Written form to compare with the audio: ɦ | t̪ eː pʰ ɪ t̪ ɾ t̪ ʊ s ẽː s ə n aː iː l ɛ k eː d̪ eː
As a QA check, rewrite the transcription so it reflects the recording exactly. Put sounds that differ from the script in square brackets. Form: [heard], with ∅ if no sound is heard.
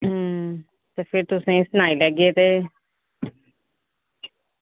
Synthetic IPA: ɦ | t̪ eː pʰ ɪ [∅] ɾ t̪ ʊ s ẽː s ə n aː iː l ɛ [ɡ] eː [t̪] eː

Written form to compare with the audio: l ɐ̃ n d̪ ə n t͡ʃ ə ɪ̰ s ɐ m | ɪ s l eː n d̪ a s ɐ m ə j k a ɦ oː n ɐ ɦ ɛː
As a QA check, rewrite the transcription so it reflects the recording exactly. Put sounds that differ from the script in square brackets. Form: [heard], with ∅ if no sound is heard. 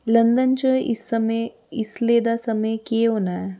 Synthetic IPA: l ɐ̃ n d̪ ə n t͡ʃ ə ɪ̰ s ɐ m | ɪ s l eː [∅] d̪ a s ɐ m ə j k [e] ɦ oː n [a] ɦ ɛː

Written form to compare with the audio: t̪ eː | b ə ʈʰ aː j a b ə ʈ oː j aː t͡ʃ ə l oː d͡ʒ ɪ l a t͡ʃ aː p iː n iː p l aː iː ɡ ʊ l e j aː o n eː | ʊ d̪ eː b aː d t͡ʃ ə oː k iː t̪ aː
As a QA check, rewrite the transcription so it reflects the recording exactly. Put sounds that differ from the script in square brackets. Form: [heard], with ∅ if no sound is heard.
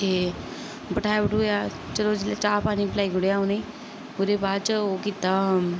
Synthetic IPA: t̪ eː | b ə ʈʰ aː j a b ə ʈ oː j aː t͡ʃ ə l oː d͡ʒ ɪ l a t͡ʃ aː p [aː] n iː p l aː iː ɡ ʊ [ɽ] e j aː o n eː | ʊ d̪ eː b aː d t͡ʃ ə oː k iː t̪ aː

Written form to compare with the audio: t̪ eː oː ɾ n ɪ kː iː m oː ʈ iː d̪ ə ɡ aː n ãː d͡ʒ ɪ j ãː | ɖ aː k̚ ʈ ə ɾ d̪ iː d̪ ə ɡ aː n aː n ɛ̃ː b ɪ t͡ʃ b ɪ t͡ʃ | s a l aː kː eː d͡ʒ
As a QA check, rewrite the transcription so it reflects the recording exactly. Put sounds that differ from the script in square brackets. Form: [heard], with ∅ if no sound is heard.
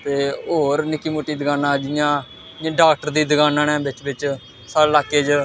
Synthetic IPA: t̪ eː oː ɾ n ɪ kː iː m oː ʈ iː d̪ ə ɡ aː n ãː d͡ʒ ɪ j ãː | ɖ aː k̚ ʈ ə ɾ d̪ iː d̪ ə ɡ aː n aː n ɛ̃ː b ɪ t͡ʃ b ɪ t͡ʃ | s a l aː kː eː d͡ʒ

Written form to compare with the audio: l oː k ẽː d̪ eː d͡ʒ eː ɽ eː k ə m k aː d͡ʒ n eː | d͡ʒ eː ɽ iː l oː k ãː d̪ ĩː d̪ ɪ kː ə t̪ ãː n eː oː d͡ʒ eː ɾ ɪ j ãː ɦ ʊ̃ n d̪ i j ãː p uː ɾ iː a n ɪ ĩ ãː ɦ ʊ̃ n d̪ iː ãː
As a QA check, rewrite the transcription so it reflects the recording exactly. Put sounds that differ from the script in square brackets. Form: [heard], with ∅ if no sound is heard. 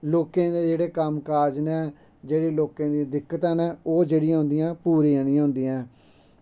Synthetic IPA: l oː k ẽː d̪ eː d͡ʒ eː ɽ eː k ə m k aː d͡ʒ n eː | d͡ʒ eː ɽ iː l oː k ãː d̪ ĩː d̪ ɪ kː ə t̪ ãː n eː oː d͡ʒ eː [ɽ] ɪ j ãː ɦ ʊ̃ n d̪ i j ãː p uː ɾ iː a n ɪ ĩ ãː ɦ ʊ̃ n d̪ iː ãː

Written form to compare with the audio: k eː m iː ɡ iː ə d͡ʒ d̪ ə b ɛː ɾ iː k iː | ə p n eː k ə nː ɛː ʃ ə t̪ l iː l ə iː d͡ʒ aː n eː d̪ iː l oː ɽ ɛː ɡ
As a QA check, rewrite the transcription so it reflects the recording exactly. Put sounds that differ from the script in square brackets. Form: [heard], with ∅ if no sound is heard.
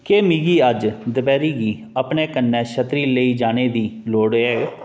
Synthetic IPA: k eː m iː ɡ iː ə d͡ʒ d̪ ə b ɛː ɾ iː [ɡ] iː | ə p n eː k ə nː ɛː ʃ ə t̪ [ɾ] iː l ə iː d͡ʒ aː n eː d̪ iː l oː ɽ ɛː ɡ

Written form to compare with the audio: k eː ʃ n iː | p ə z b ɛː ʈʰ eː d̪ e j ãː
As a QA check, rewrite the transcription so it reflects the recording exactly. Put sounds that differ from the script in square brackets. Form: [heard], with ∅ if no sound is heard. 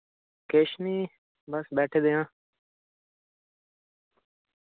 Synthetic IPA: k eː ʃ n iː | [b] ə [s] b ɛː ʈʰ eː d̪ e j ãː

